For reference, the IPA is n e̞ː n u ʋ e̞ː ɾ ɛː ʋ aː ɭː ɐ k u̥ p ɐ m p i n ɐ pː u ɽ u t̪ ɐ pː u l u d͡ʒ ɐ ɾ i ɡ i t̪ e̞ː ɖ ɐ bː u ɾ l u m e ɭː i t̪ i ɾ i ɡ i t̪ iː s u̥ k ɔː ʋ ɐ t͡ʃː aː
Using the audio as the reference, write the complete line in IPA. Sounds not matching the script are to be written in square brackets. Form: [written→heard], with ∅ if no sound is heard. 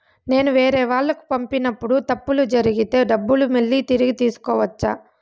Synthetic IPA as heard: n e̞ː n u ʋ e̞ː ɾ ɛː ʋ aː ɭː ɐ k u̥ p ɐ m p i n ɐ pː u ɽ u t̪ ɐ pː u l u d͡ʒ ɐ ɾ i ɡ i t̪ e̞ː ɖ ɐ bː u [ɾ→∅] l u m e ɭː i t̪ i ɾ i ɡ i t̪ iː s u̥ k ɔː ʋ ɐ t͡ʃː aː